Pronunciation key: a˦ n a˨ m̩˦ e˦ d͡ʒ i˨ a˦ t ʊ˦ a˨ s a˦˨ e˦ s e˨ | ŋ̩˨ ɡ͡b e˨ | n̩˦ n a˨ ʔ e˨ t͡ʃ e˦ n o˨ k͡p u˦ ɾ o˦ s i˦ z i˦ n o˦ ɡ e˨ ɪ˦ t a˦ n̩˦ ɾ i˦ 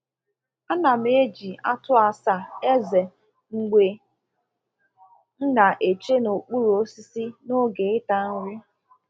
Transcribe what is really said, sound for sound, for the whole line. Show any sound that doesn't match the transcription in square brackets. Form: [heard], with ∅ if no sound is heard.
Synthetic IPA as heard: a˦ n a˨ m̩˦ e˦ d͡ʒ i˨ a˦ t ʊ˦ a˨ s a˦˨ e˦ [z] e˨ | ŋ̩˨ ɡ͡b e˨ | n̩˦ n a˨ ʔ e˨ t͡ʃ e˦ n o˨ k͡p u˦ ɾ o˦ s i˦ [s] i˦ n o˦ ɡ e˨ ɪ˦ t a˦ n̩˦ ɾ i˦